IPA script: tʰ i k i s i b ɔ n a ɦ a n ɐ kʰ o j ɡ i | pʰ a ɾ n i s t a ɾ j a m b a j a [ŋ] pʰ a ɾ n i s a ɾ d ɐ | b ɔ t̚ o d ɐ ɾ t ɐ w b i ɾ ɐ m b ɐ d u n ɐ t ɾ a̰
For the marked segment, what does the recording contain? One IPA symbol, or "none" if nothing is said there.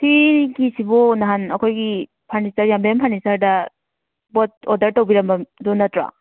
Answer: m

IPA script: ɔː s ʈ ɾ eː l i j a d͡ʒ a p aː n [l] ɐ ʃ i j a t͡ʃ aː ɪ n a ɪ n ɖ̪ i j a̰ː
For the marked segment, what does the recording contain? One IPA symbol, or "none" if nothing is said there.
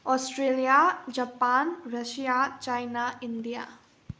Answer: ɾ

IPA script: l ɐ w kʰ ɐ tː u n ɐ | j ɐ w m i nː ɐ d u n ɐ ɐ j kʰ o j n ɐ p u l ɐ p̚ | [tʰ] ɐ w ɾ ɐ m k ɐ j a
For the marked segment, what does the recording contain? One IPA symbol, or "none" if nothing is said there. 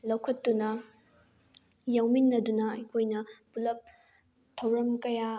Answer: tʰ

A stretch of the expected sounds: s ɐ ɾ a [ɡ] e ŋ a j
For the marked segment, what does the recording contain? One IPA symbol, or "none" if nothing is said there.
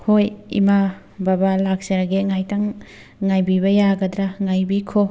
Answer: ɡ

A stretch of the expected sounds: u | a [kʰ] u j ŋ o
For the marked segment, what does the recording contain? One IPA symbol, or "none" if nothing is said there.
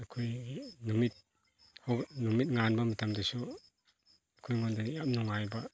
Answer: kʰ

